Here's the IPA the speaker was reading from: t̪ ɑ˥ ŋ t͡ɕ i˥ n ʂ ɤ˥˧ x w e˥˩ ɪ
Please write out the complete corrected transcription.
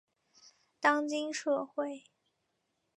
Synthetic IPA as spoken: t̪ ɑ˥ ŋ t͡ɕ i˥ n ʂ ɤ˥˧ x w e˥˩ ɪ